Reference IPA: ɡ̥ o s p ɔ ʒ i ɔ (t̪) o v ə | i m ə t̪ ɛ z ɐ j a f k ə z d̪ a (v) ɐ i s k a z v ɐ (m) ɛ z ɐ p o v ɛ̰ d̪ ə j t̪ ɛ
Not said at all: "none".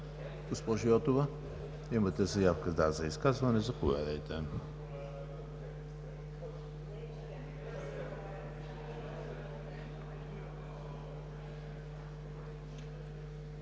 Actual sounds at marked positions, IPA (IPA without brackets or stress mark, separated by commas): t̪, z, n